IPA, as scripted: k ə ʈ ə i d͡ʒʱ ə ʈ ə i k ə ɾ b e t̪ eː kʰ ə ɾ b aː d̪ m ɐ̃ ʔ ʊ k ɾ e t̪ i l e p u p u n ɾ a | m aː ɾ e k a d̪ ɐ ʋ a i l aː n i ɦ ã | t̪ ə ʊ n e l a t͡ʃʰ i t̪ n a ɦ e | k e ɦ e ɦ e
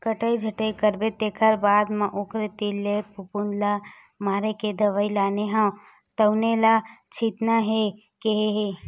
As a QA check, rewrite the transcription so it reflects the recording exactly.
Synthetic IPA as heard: k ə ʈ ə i d͡ʒʱ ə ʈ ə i k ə ɾ b e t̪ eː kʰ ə ɾ b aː d̪ m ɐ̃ ʔ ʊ k ɾ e t̪ i l e p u p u n l a | m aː ɾ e k e d̪ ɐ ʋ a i l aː n e ɦ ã | t̪ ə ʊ n e l a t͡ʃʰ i t̪ n a ɦ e | k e ɦ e ɦ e